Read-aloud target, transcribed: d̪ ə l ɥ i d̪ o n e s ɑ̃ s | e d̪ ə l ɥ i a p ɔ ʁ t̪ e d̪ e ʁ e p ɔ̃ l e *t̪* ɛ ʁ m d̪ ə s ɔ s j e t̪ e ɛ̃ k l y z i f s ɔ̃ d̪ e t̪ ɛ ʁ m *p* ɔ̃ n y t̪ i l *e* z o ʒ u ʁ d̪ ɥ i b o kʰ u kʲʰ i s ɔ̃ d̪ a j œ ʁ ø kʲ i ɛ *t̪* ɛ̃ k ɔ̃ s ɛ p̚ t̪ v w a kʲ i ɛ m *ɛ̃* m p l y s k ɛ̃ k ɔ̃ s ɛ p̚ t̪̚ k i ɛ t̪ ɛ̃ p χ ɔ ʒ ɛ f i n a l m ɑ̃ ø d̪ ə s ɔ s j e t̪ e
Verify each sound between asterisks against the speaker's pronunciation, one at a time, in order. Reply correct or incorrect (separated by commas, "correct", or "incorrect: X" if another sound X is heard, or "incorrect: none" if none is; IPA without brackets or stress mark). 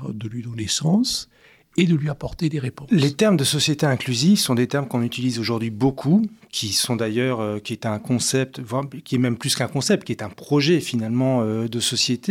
correct, incorrect: k, incorrect: i, correct, incorrect: ɛ